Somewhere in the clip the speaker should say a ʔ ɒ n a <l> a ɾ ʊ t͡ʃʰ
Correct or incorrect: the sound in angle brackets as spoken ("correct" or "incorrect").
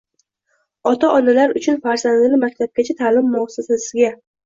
correct